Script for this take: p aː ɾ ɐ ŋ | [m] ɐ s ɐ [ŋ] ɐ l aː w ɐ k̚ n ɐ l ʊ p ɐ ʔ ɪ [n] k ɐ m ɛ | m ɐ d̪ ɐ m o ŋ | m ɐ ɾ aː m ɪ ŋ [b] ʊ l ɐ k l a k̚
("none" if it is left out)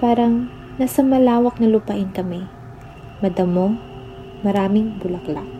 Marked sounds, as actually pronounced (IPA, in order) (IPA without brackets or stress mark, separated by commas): n, m, n, b